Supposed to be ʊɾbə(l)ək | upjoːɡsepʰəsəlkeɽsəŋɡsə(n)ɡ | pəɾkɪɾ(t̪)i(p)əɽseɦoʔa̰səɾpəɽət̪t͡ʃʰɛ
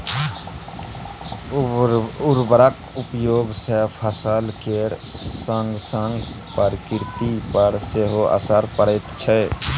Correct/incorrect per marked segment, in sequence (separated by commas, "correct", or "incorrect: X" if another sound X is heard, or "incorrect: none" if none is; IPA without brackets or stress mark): incorrect: ɾ, incorrect: ŋ, correct, correct